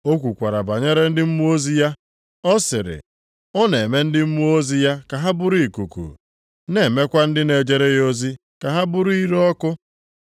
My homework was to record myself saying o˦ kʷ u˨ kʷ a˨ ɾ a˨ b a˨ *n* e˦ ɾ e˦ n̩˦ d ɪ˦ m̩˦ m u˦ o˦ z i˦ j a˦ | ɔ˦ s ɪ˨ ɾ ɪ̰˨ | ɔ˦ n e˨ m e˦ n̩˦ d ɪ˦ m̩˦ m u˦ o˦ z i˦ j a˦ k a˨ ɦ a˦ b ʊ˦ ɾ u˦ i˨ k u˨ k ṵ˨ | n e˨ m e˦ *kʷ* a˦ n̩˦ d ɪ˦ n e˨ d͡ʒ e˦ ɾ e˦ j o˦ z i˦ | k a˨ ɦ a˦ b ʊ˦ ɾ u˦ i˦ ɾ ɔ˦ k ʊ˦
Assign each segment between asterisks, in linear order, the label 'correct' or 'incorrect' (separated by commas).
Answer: incorrect, correct